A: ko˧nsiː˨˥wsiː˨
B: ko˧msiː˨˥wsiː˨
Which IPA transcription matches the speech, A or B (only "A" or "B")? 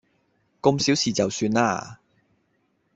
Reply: B